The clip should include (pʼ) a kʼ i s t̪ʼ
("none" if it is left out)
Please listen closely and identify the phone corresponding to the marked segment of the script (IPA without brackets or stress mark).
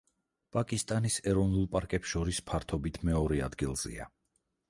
pʼ